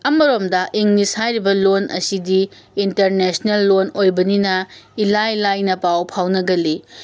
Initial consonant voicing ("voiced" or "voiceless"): voiced